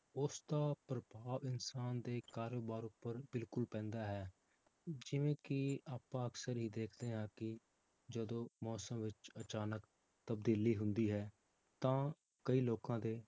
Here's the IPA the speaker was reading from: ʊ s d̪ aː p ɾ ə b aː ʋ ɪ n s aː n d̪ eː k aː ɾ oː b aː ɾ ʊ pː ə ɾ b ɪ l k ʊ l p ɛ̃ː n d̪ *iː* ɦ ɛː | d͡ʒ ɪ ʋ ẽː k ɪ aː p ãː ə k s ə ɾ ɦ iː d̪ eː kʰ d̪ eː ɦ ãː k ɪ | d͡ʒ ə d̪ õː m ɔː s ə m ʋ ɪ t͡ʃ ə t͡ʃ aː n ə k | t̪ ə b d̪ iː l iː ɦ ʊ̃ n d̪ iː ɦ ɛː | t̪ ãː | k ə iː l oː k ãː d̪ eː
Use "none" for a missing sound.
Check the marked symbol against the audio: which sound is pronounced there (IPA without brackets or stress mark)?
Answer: aː